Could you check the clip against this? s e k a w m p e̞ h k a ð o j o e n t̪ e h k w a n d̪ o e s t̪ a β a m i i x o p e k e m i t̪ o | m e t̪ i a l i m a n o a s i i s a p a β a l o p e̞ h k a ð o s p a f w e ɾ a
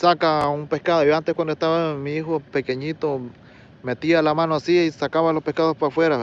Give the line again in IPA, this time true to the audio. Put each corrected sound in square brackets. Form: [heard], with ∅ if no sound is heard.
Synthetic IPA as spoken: s [a] k a [u] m p e̞ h k a ð o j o [a] n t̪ e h k w a n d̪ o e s t̪ a β a m i i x o p e k e [ɲ] i t̪ o | m e t̪ i a l [a] m a n o a s i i s a [k] a β a l o p e̞ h k a ð o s p a f w e ɾ a

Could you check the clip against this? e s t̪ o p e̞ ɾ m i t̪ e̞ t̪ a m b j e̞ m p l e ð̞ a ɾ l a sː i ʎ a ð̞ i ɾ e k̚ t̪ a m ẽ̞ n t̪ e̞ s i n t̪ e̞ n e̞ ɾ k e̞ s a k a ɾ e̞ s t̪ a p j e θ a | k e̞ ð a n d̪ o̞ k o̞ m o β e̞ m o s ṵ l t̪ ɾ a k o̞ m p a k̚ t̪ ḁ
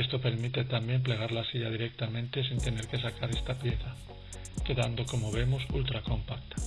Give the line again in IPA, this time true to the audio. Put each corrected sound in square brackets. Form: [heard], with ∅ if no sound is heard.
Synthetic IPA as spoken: e s t̪ o p e̞ ɾ m i t̪ e̞ t̪ a m b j e̞ m p l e [ɣ̞] a ɾ l a [s] i ʎ a ð̞ i ɾ e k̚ t̪ a m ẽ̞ n t̪ e̞ s i n t̪ e̞ n e̞ ɾ k e̞ s a k a ɾ e̞ s t̪ a p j e θ a | k e̞ ð a n d̪ o̞ k o̞ m o β e̞ m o s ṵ l t̪ ɾ a k o̞ m p a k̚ t̪ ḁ

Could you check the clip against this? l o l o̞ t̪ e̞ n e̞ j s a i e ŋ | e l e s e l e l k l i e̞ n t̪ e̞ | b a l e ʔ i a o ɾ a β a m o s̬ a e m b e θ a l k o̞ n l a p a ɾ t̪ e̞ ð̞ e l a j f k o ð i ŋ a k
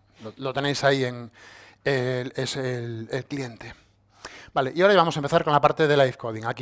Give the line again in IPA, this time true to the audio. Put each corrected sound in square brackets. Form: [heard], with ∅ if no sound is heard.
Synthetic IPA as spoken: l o l o̞ t̪ e̞ n e̞ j s a i e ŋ | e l e s e l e l k l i e̞ n t̪ e̞ | b a l e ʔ i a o ɾ a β a m o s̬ a e m [p] e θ a [ɾ] k o̞ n l a p a ɾ t̪ e̞ ð̞ e l a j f k o ð i ŋ a k

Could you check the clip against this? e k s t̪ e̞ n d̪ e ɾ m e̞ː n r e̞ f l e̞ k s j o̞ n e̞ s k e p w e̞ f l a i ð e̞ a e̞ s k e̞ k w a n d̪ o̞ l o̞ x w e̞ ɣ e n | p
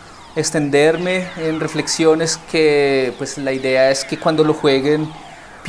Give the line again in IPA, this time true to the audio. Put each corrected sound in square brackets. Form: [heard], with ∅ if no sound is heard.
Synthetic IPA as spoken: e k s t̪ e̞ n d̪ e ɾ m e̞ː n r e̞ f l e̞ k s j o̞ n e̞ s k e p w e̞ [s] l a i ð e̞ a e̞ s k e̞ k w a n d̪ o̞ l o̞ x w e̞ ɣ e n | p

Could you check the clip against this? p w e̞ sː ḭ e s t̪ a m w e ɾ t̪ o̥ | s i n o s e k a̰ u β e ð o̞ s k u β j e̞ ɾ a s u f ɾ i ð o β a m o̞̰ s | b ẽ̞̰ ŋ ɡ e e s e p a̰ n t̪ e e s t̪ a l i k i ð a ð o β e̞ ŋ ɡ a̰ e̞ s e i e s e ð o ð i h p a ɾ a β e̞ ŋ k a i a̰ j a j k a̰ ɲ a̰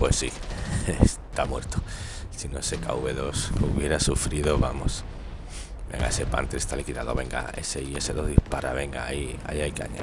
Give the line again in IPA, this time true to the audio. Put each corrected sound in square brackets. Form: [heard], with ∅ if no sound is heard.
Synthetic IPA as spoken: p w e̞ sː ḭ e s t̪ a m w e ɾ t̪ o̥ | s i n o s e k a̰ u β e ð o̞ s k u β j e̞ ɾ a s u f ɾ i ð o β a m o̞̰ s | b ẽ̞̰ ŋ ɡ [a] e s e p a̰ n t̪ e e s t̪ a l i k i ð a ð o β e̞ ŋ ɡ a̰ e̞ s e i e s e ð o ð i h p a ɾ a β e̞ ŋ [ɡ] a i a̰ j a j k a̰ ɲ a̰

